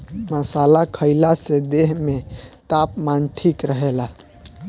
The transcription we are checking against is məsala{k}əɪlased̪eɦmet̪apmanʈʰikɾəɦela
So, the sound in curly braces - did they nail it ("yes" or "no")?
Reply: no